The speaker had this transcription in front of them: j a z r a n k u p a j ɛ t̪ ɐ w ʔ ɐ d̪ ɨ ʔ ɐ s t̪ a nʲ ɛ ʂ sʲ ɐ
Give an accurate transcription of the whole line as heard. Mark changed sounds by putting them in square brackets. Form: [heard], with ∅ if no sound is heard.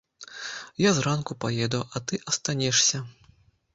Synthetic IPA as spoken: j a z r a n k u p a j ɛ [d̪] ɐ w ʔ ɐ [t̪] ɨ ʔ ɐ s t̪ a nʲ ɛ ʂ sʲ ɐ